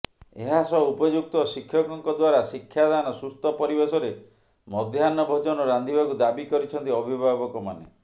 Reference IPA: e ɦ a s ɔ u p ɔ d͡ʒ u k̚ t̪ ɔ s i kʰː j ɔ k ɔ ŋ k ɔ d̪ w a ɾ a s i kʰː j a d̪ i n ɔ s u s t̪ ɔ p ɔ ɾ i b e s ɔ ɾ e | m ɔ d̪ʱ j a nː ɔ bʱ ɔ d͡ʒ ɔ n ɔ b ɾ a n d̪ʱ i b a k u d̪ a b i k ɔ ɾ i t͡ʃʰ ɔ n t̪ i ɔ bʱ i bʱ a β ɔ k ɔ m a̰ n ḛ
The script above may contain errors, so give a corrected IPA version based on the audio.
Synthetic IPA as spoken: e ɦ a s ɔ u p ɔ d͡ʒ u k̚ t̪ ɔ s i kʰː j ɔ k ɔ ŋ k ɔ d̪ w a ɾ a s i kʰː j a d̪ a n ɔ s u s t̪ ɔ p ɔ ɾ i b e s ɔ ɾ e | m ɔ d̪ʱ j a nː ɔ bʱ ɔ d͡ʒ ɔ n ɔ ɾ a n d̪ʱ i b a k u d̪ a b i k ɔ ɾ i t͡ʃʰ ɔ n t̪ i ɔ bʱ i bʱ a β ɔ k ɔ m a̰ n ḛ